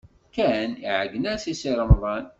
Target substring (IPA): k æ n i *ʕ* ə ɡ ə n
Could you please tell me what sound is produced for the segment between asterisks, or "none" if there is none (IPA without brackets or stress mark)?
ʕ